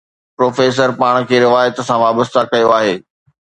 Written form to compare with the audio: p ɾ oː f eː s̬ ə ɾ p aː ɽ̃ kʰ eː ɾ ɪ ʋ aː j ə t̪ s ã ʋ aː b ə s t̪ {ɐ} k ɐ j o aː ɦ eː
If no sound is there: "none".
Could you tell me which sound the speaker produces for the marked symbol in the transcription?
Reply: a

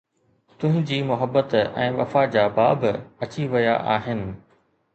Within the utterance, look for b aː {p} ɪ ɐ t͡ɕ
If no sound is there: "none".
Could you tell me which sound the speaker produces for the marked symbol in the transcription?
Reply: b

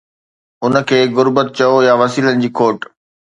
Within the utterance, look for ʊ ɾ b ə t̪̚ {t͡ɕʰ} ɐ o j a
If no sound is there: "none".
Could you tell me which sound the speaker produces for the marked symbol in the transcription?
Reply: t͡ɕ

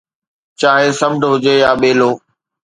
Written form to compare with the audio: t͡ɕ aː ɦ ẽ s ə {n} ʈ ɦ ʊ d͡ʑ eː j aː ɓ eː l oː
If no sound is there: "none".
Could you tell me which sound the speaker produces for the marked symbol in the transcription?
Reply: m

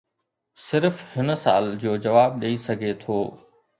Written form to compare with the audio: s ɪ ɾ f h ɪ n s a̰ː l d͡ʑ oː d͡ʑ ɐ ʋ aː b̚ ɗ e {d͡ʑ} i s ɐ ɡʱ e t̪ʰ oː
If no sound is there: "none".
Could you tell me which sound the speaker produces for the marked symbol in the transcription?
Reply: none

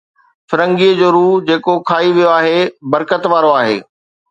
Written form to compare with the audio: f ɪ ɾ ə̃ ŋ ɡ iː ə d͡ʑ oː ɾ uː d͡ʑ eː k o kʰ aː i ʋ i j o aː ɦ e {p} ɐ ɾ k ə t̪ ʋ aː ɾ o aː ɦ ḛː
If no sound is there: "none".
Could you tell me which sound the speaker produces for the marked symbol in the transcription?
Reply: b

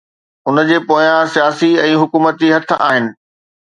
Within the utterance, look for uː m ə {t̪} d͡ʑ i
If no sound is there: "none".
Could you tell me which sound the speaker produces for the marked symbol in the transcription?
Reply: t̪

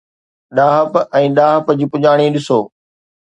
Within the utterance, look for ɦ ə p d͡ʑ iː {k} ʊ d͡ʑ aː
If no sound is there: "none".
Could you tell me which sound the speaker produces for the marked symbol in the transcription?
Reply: p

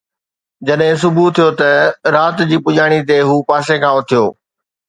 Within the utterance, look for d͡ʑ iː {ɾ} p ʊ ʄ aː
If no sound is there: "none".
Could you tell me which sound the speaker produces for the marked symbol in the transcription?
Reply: none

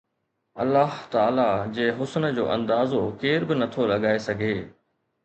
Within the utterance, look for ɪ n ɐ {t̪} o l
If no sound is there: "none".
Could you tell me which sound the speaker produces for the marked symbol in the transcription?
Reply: t̪ʰ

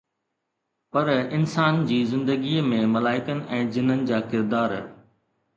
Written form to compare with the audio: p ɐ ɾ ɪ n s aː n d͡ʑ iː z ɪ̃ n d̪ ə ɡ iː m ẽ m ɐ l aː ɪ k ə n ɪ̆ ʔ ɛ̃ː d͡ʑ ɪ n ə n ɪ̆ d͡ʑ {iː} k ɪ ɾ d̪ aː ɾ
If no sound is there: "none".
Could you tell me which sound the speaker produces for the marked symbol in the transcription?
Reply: aː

